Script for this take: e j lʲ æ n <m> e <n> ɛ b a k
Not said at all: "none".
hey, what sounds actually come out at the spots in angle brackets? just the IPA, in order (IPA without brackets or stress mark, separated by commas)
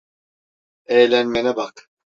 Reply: m, n